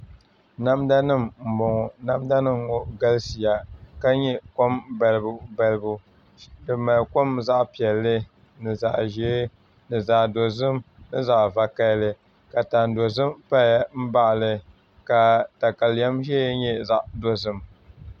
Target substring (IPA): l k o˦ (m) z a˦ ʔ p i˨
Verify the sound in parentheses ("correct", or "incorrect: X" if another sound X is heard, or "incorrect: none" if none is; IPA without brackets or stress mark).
correct